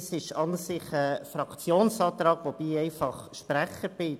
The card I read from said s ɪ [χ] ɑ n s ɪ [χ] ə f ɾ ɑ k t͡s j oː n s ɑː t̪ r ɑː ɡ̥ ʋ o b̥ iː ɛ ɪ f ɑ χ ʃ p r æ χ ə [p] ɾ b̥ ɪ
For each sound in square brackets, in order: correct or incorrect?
incorrect: ʃ, correct, incorrect: none

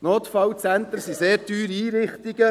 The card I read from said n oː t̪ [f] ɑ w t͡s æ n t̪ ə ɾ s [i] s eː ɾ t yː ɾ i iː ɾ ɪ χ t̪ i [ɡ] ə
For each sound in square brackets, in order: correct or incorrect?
correct, correct, correct

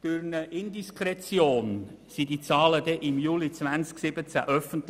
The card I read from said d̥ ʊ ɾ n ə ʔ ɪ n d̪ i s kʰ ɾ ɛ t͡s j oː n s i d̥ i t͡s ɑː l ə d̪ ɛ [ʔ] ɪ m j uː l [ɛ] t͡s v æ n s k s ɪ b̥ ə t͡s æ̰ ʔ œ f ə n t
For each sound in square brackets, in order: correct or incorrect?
correct, incorrect: i

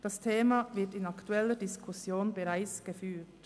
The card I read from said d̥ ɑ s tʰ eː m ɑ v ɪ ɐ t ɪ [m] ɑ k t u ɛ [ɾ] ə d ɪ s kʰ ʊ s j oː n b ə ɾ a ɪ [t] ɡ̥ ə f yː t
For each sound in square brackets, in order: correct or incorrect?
incorrect: n, incorrect: l, incorrect: t͡s

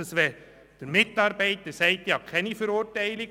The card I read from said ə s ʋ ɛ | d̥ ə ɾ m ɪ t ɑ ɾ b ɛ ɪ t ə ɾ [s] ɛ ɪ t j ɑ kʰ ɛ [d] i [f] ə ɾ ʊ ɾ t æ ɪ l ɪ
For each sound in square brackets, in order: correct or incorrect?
correct, incorrect: n, correct

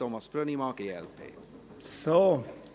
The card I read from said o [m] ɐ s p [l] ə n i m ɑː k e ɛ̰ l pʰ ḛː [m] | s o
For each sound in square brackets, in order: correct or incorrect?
correct, incorrect: ɾ, incorrect: none

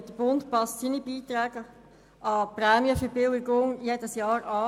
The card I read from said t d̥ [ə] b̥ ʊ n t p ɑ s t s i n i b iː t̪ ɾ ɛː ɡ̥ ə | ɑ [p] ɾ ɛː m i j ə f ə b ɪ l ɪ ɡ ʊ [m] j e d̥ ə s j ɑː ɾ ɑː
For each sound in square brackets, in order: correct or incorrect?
correct, correct, incorrect: ŋ

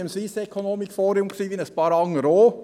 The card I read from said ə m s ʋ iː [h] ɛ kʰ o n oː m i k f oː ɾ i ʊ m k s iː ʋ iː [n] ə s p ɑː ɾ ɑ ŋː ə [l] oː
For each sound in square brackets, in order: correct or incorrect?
incorrect: s, correct, incorrect: ɾ

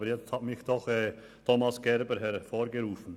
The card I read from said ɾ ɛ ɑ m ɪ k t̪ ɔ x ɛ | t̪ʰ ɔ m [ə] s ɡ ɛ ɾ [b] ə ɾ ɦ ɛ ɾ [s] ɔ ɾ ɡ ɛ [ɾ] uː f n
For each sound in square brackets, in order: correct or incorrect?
incorrect: ɑ, correct, incorrect: f, correct

